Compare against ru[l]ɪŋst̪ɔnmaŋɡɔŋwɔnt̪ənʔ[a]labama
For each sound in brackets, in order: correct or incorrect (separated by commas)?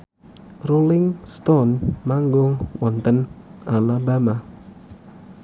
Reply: correct, correct